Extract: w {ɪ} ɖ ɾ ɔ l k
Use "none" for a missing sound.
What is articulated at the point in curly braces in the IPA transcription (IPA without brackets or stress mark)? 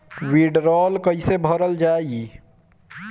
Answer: i